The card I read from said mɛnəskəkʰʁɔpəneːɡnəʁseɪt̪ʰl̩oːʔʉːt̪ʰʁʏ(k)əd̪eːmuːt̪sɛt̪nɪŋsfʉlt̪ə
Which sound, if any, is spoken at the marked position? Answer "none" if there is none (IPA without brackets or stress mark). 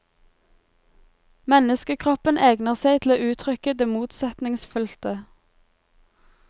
k